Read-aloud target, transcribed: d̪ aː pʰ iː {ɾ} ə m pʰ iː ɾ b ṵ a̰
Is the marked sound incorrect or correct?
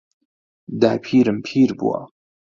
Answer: correct